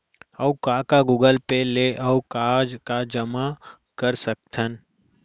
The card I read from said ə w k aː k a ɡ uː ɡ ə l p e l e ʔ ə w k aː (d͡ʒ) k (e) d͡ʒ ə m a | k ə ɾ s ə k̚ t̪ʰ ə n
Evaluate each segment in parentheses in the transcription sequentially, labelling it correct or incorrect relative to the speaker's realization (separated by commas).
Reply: correct, incorrect